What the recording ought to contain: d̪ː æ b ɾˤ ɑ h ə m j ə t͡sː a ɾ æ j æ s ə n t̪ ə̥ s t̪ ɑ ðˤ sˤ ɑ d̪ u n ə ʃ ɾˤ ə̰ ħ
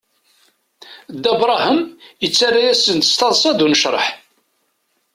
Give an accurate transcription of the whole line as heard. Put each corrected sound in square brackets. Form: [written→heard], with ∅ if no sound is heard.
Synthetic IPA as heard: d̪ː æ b ɾˤ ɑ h ə m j ə t͡sː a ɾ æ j æ s ə n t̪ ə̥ s t̪ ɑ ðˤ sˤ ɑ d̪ u n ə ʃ ɾˤ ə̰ ħ